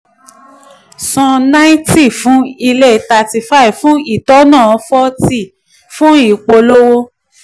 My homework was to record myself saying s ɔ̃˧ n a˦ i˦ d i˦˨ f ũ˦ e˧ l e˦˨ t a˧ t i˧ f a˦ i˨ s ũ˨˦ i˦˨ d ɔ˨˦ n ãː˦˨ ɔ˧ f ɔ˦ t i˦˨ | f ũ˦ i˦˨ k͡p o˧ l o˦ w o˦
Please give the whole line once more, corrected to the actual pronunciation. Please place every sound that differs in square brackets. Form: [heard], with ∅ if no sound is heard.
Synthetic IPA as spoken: s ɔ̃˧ n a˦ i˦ [t] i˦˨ f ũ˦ [i˧] l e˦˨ t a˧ t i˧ f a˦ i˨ [f] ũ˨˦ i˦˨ [t] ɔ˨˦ n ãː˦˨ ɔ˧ f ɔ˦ t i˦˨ | f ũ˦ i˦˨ k͡p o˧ l o˦ w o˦